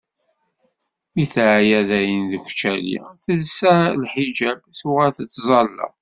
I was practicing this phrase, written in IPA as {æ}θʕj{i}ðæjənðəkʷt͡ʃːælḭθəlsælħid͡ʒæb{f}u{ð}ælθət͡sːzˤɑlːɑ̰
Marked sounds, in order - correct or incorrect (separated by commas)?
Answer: incorrect, incorrect, incorrect, incorrect